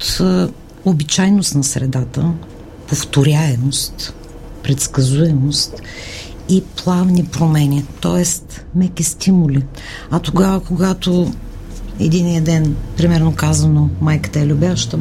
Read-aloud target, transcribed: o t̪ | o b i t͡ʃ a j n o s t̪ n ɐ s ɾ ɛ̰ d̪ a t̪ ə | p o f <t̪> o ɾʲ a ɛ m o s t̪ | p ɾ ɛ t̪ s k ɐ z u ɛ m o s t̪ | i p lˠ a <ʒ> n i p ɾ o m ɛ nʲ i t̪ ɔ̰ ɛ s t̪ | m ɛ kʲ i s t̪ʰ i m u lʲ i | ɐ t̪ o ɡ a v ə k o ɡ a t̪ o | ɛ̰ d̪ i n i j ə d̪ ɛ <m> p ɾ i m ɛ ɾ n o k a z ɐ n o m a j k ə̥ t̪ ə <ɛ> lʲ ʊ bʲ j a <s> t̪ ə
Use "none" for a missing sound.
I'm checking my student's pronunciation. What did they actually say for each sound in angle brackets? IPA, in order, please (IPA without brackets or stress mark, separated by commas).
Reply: t̪, v, n, ɛ, ʃ